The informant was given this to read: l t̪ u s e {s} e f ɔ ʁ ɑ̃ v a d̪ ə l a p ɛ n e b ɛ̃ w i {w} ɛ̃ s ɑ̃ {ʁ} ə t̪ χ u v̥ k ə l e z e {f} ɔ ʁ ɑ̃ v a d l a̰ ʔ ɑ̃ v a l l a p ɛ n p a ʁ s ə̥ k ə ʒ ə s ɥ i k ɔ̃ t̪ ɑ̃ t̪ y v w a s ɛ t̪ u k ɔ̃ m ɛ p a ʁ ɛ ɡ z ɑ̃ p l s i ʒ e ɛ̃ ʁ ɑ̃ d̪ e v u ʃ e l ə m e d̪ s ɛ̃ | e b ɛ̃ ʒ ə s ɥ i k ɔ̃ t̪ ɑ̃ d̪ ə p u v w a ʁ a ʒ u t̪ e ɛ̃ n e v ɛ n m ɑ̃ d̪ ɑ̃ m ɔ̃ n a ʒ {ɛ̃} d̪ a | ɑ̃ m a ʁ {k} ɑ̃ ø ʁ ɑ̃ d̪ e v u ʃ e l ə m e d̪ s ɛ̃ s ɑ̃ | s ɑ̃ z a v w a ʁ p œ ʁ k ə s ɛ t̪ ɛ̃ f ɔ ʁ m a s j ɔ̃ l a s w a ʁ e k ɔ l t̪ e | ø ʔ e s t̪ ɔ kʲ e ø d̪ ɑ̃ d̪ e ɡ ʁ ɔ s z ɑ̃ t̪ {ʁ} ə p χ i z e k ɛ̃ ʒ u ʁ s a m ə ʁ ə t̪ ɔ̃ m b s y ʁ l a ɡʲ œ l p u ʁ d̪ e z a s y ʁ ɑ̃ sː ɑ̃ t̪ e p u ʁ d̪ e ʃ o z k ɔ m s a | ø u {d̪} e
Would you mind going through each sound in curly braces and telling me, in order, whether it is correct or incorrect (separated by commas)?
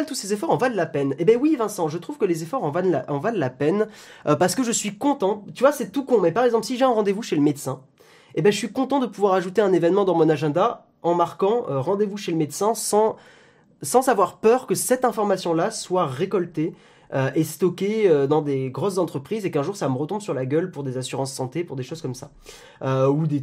incorrect, incorrect, incorrect, correct, correct, correct, incorrect, correct